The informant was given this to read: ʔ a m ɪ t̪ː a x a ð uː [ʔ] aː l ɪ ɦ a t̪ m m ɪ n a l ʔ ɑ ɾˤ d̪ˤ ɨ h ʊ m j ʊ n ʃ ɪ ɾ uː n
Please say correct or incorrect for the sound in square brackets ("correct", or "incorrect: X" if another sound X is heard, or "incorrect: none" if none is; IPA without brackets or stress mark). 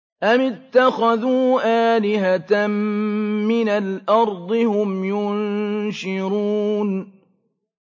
correct